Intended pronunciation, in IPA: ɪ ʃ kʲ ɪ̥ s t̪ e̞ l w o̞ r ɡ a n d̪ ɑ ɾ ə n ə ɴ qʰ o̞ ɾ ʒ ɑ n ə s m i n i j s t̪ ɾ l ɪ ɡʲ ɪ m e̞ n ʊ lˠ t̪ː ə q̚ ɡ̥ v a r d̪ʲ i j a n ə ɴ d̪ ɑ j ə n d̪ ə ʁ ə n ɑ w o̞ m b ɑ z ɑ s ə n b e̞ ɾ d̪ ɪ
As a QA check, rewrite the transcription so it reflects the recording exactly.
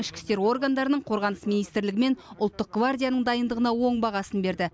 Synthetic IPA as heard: ɪ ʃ kʲ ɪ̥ s t̪ e̞ ɾ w o̞ r ɡ a n d̪ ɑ ɾ ə n ə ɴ qʰ o̞ ɾ ʁ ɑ n ə s m i n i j s t̪ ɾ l ɪ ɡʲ ɪ m e̞ n ʊ lˠ t̪ː ə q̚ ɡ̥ v a r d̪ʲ i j a n ə ɴ d̪ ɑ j ə n d̪ ə ʁ ə n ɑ w o̞ ɴ b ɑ ʁ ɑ s ə n b e̞ ɾ d̪ ɪ